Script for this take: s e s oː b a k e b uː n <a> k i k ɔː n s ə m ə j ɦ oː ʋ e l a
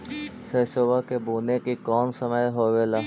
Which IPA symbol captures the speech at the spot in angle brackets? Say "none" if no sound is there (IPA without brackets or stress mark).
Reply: e